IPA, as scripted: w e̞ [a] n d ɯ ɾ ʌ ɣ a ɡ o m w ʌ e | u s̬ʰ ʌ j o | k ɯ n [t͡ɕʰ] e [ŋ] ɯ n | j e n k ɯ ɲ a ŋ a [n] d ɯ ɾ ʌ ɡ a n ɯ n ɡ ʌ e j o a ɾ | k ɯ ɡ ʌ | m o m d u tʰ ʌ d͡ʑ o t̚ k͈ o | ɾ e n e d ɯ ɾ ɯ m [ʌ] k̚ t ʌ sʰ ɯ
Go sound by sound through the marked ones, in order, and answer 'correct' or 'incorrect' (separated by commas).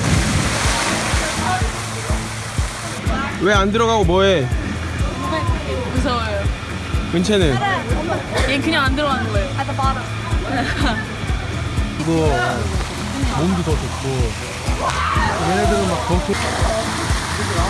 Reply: correct, correct, incorrect, correct, incorrect